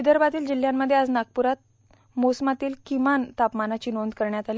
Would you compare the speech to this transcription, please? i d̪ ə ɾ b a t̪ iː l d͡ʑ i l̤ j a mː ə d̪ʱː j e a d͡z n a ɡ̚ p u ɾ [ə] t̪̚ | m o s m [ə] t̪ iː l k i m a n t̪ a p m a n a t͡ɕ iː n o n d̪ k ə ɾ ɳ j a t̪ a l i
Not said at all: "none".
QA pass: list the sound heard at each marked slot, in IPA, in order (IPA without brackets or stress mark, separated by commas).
a, a